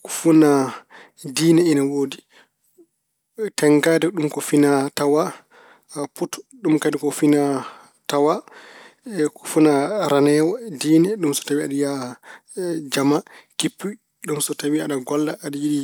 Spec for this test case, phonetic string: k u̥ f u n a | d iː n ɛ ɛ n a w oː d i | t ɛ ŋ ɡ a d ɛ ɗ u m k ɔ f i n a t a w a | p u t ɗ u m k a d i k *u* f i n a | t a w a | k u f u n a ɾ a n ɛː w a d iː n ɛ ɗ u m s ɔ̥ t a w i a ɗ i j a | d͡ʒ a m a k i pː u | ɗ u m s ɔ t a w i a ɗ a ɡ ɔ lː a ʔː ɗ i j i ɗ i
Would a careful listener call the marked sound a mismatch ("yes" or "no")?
yes